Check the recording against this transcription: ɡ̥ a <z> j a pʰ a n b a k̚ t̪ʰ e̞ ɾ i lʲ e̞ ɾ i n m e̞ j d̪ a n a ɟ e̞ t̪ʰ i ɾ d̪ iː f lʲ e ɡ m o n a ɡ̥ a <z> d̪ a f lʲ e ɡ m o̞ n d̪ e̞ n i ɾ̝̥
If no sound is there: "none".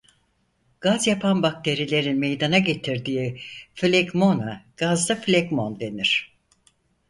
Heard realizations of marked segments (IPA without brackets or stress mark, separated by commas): z, z